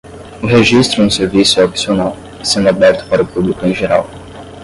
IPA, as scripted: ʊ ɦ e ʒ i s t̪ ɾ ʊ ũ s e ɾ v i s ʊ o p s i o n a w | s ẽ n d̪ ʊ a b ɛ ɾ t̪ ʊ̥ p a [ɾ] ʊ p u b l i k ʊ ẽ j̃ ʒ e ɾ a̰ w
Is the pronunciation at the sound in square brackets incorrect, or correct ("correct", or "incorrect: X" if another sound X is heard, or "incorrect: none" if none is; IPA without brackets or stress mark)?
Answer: correct